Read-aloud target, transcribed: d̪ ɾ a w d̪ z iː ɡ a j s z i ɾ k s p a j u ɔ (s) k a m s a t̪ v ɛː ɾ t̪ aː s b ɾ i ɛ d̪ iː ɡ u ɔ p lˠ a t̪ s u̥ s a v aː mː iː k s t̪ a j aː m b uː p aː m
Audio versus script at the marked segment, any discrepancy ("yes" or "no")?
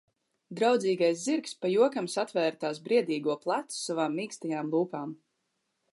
yes